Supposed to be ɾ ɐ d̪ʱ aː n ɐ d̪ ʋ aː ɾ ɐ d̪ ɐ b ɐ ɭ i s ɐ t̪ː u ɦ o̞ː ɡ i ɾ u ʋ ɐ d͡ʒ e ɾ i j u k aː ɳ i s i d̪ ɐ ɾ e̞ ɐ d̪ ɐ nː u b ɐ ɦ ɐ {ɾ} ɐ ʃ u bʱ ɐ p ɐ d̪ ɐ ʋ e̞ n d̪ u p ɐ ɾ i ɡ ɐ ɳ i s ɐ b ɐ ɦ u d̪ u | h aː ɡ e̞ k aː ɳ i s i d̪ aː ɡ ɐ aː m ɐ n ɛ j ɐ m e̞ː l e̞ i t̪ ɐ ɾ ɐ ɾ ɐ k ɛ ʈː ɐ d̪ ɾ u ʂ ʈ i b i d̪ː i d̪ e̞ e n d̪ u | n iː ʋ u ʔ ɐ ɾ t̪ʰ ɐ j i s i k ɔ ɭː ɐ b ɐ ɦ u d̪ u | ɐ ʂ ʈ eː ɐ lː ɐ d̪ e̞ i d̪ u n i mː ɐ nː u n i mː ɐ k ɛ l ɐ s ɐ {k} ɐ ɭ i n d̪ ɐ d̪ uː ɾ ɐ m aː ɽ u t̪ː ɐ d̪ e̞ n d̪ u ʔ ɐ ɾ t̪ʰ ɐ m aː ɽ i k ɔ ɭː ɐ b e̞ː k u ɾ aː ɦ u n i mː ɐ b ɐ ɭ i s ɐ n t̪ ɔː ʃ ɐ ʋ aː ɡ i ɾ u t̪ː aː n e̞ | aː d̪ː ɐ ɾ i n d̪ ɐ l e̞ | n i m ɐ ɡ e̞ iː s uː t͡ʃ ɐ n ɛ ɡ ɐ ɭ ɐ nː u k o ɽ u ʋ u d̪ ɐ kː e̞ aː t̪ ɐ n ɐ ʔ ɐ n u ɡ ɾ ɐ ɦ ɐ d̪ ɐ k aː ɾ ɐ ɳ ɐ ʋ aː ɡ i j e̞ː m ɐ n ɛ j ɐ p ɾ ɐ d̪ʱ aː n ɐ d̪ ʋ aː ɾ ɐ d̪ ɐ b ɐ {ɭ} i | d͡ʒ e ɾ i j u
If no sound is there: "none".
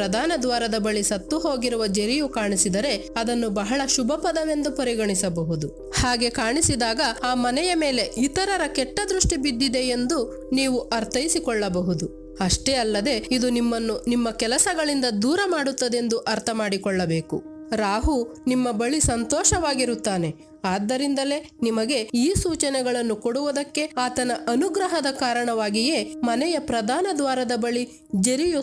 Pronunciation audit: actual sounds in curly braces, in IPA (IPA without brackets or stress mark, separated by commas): ɭ, ɡ, ɭ